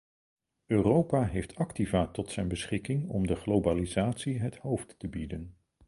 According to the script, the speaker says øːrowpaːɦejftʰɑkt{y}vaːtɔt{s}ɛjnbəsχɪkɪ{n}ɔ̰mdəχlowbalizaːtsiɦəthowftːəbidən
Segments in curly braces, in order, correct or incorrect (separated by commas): incorrect, correct, incorrect